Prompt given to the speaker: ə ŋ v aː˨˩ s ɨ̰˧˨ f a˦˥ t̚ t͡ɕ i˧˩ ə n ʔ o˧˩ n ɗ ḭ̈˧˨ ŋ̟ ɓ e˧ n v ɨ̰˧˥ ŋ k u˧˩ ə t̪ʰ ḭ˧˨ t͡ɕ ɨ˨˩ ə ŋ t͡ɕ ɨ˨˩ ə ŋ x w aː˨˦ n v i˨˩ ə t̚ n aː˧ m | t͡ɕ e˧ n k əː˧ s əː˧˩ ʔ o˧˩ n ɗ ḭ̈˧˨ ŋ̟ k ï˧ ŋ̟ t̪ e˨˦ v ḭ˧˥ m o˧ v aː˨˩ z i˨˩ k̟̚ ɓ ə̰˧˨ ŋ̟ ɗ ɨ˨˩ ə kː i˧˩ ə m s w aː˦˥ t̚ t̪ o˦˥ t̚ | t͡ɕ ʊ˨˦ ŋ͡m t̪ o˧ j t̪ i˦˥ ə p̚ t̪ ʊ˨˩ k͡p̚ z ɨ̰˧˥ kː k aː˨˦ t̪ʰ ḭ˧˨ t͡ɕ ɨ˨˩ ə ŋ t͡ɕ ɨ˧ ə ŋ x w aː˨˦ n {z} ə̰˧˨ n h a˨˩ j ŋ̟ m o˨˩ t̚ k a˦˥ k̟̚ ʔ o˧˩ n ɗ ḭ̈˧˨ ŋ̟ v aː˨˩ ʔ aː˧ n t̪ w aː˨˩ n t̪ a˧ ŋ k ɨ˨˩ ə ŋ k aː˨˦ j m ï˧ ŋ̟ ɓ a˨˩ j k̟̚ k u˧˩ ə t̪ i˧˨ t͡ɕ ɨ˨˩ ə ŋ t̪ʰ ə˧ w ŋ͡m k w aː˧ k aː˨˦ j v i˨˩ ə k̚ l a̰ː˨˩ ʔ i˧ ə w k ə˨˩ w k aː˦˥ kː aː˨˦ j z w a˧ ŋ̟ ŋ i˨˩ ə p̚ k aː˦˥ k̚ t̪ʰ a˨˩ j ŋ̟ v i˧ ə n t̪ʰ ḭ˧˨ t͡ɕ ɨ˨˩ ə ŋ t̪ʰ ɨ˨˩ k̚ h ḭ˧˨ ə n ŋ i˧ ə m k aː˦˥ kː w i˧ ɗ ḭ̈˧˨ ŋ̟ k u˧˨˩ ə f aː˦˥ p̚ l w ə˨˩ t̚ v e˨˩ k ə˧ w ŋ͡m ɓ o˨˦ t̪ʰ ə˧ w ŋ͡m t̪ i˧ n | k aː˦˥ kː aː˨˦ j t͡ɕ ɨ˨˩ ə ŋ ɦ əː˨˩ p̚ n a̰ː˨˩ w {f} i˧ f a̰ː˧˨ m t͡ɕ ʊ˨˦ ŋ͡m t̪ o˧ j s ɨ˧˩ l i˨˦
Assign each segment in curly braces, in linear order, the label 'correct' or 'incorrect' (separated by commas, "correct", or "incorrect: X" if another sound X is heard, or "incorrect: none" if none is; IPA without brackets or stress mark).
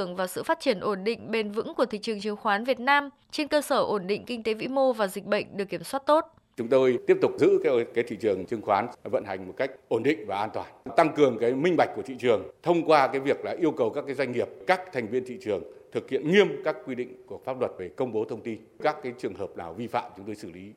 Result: incorrect: v, incorrect: v